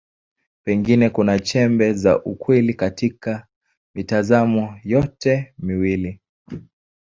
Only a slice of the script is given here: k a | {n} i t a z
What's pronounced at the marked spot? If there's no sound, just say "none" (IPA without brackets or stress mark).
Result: m